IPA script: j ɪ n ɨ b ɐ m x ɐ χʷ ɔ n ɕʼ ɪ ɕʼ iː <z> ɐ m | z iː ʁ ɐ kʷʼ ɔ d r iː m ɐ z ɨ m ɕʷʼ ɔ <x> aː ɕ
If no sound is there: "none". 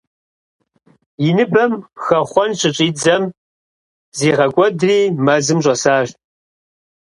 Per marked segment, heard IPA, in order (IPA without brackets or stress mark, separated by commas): d͡z, s